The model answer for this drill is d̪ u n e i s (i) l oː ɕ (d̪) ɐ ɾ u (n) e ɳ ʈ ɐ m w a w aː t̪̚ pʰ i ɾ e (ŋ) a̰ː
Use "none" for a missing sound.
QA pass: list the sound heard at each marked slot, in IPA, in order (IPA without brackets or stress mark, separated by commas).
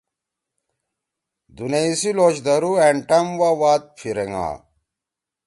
i, d̪, none, ŋ